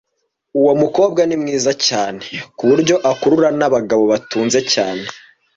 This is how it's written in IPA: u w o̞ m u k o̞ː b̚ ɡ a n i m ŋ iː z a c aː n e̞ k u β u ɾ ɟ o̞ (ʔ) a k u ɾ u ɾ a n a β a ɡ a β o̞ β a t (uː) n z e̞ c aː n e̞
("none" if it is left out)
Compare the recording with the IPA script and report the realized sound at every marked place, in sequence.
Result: ʔ, uː

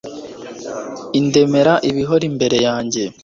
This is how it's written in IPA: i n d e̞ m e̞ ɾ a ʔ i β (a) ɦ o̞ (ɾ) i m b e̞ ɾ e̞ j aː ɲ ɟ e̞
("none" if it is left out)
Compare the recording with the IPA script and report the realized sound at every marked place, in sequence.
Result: i, ɾ

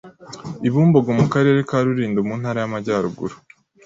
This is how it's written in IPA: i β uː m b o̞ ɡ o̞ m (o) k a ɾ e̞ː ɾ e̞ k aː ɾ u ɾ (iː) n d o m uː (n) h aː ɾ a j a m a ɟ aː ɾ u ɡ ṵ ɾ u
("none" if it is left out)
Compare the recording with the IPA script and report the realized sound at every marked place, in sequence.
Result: u, iː, n

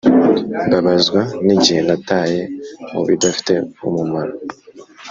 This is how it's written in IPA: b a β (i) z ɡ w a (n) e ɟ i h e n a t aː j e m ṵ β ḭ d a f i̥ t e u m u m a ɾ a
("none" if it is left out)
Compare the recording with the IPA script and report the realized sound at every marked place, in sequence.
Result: a, n

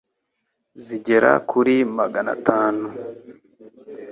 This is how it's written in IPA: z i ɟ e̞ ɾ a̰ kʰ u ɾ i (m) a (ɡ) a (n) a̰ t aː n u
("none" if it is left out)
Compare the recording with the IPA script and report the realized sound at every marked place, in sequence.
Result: m, ɡ, n

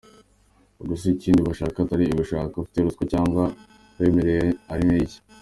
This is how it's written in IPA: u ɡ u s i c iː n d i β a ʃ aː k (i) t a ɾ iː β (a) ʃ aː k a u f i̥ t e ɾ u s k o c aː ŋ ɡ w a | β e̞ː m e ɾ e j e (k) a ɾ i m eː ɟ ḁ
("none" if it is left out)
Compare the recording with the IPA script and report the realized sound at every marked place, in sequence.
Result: a, i, none

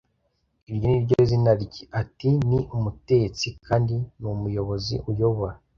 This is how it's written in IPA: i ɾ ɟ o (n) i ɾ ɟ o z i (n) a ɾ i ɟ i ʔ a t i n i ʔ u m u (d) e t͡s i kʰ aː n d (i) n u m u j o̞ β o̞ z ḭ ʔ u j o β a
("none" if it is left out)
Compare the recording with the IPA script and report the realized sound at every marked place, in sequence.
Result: n, n, t, i

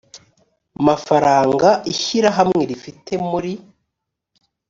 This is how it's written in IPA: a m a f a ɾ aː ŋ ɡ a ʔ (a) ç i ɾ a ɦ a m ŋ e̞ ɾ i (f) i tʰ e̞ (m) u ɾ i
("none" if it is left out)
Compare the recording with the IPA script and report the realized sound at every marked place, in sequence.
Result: i, f, m

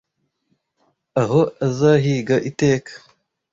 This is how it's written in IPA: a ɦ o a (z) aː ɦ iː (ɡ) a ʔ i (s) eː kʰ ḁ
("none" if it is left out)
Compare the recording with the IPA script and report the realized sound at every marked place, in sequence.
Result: z, ɡ, t

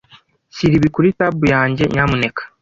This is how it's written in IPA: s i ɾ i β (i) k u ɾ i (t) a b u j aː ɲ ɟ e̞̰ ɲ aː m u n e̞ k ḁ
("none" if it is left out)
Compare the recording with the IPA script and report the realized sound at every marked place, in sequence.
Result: i, t

